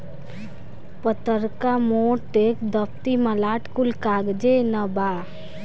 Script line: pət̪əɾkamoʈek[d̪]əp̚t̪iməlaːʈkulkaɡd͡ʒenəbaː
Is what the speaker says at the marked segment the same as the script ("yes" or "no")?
yes